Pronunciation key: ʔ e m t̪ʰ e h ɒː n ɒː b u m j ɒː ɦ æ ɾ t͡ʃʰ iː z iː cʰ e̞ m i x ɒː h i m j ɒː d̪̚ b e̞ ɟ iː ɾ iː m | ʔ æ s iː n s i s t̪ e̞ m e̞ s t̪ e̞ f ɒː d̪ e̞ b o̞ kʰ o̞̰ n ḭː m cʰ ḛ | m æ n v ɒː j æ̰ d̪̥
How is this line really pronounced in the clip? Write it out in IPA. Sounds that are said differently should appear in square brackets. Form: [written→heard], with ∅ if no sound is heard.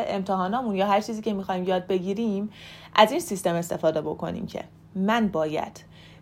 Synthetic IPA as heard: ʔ e m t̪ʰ e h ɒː n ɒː [b→m] u [m→n] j ɒː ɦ æ ɾ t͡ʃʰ iː z iː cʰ e̞ m i x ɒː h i m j ɒː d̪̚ b e̞ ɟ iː ɾ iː m | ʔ æ [s→z] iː n s i s t̪ e̞ m e̞ s t̪ e̞ f ɒː d̪ e̞ b o̞ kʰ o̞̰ n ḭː m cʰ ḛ | m æ n [v→b] ɒː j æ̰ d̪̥